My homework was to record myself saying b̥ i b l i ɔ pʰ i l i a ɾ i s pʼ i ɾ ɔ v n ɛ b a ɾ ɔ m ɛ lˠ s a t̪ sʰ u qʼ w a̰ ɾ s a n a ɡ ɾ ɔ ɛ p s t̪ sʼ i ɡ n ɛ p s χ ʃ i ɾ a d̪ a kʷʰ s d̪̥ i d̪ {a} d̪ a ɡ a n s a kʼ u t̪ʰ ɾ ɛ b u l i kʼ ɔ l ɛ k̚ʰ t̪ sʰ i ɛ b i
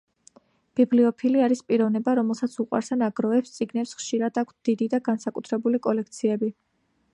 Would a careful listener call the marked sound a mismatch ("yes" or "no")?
yes